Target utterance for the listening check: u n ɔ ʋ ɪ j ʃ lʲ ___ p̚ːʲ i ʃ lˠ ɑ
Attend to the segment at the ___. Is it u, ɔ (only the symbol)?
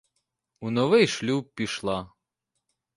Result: u